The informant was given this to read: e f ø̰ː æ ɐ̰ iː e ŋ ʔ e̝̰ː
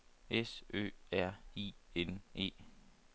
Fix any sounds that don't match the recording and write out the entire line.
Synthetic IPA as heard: e s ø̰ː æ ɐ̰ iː e n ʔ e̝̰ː